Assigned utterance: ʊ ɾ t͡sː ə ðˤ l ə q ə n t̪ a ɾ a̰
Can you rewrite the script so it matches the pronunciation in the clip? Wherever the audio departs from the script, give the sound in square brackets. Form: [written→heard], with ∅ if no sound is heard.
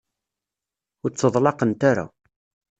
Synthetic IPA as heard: ʊ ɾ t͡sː ə ðˤ l [ə→ɑ] q ə n t̪ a ɾ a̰